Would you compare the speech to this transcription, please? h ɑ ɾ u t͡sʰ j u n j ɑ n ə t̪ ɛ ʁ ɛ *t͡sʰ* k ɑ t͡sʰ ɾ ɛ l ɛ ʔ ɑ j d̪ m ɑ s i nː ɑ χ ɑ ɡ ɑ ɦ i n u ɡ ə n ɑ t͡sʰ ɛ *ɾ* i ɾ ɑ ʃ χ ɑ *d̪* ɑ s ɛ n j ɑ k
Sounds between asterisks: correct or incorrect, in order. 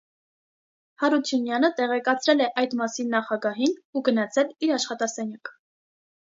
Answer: incorrect, incorrect, incorrect

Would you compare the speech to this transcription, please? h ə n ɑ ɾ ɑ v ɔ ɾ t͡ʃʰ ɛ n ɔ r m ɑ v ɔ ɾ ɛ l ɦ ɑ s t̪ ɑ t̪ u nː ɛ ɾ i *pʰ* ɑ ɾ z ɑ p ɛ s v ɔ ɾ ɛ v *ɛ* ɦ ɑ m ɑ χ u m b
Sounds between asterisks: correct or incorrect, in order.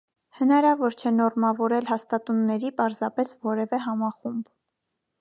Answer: incorrect, correct

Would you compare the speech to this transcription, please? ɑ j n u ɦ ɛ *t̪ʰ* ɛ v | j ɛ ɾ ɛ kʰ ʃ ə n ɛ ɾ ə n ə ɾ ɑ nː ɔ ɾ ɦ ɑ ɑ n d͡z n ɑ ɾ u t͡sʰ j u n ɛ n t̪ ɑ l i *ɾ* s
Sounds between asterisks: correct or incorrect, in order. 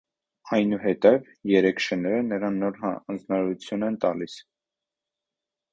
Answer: incorrect, incorrect

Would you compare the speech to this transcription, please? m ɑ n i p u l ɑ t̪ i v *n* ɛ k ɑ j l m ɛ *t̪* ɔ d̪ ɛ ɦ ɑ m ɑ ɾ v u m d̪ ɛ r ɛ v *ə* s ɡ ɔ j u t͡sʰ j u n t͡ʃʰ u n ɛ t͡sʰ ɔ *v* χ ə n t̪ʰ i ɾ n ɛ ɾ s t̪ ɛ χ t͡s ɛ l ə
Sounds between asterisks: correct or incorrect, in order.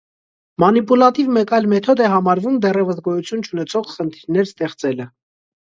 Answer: incorrect, incorrect, correct, incorrect

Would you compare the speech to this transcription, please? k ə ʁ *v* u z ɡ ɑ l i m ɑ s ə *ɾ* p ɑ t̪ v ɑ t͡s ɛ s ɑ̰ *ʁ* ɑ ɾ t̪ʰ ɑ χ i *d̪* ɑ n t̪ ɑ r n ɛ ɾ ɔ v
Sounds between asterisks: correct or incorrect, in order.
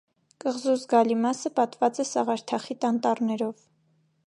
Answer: incorrect, incorrect, correct, incorrect

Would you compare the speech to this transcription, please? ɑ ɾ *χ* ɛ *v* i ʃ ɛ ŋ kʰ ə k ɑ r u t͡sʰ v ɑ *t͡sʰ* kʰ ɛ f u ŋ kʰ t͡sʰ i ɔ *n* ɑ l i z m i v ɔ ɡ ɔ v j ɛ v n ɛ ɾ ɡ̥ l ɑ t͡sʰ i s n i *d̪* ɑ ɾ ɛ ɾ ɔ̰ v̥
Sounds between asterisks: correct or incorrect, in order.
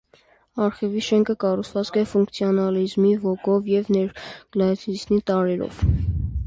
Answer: correct, correct, incorrect, correct, incorrect

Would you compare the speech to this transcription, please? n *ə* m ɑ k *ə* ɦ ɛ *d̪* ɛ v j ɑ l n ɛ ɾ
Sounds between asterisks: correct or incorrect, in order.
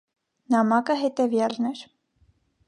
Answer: incorrect, correct, incorrect

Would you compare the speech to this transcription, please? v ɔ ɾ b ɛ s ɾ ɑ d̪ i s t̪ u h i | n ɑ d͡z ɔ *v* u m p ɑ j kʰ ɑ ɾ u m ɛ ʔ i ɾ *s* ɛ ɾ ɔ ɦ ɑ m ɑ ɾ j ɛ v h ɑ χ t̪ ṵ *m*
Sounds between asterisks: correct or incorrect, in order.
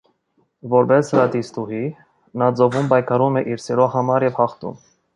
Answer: correct, correct, correct

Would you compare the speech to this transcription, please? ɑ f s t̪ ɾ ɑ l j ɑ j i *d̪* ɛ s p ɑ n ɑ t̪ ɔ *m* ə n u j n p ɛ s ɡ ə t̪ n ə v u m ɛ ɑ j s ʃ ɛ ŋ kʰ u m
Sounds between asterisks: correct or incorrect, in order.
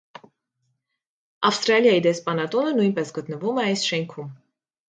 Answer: correct, incorrect

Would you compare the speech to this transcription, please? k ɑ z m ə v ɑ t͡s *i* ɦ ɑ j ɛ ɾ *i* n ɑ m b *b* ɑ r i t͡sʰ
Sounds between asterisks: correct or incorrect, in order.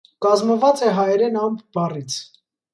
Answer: incorrect, incorrect, correct

